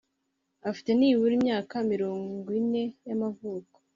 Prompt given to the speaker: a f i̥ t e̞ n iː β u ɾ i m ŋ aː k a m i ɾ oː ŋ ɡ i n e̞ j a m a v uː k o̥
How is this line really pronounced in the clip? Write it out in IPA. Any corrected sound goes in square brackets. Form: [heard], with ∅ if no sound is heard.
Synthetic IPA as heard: a f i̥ t e̞ n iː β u ɾ i m [ɲ] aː k a m i ɾ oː ŋ ɡ i n e̞ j a m a v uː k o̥